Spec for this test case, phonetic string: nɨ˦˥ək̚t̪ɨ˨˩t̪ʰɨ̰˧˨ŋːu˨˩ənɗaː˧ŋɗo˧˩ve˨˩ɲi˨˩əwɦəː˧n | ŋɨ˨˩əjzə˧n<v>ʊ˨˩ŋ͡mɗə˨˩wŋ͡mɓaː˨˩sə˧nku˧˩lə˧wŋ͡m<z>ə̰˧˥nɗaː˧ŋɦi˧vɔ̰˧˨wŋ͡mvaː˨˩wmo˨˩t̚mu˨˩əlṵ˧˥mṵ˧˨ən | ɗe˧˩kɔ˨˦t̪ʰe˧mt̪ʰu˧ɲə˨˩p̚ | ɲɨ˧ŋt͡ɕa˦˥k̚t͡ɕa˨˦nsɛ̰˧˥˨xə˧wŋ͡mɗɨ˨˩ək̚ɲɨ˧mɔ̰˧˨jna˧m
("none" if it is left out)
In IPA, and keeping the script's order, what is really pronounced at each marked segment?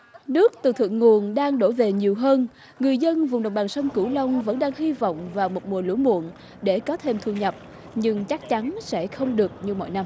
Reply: v, v

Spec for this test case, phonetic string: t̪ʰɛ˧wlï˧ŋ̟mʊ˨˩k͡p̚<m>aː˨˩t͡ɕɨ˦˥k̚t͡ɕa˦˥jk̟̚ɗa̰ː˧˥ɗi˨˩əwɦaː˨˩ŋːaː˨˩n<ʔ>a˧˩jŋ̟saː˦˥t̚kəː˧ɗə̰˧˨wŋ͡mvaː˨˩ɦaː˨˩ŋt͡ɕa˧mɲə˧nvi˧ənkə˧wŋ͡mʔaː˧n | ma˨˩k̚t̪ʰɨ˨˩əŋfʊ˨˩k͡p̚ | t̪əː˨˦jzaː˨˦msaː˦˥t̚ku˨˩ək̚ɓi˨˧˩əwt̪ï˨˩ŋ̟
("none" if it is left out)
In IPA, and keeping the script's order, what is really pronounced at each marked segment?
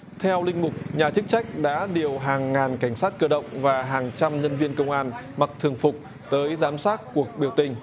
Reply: ɲ, k

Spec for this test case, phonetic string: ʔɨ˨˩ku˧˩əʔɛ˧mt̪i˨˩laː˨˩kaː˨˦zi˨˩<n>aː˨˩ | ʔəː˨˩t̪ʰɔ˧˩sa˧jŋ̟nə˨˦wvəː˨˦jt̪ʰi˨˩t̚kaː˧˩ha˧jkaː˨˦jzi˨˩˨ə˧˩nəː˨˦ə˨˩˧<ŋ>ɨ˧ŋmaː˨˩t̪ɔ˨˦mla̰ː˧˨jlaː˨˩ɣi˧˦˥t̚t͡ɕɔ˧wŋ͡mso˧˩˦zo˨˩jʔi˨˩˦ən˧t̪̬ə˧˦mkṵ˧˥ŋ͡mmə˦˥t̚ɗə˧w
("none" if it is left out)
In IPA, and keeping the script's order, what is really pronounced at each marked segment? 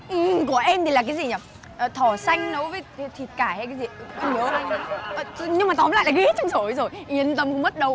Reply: ɲ, ɲ

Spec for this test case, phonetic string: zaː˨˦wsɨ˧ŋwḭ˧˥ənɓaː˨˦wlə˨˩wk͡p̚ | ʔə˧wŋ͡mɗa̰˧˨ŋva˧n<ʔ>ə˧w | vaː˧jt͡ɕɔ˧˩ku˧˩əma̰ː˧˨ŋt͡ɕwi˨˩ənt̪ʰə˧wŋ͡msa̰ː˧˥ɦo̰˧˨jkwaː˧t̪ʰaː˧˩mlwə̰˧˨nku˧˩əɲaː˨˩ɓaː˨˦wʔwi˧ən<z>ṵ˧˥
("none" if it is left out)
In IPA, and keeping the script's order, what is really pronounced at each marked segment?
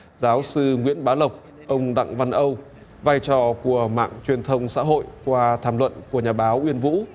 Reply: ʔ, v

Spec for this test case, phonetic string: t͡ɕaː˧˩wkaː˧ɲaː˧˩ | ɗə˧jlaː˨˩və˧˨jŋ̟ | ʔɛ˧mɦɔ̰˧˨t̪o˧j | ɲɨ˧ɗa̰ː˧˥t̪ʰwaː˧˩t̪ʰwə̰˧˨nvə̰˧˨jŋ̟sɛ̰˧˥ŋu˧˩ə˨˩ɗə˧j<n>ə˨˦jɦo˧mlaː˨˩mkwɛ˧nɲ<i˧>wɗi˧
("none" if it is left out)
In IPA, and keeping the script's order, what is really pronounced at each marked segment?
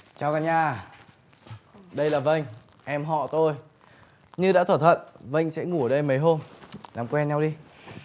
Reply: m, a˧

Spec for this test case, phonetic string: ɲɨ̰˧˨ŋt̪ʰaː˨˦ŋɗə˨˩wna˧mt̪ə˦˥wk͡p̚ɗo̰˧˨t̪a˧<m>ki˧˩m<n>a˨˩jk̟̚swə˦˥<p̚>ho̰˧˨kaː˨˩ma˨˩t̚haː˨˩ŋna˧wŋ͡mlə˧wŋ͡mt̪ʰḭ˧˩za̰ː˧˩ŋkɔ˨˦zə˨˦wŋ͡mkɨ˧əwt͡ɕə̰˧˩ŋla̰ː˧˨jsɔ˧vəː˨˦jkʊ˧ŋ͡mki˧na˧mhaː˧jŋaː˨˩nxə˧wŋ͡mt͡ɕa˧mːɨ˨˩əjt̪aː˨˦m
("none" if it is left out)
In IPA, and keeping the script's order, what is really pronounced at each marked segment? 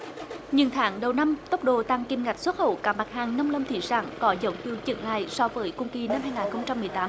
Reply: ŋ, ŋ, t̚

